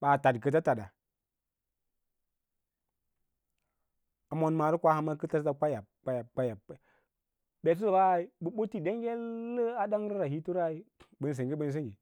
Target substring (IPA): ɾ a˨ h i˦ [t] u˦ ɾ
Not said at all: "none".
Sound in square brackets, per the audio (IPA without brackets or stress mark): t